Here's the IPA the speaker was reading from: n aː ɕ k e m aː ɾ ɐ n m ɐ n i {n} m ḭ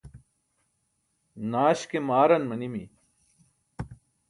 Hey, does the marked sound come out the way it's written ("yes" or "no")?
no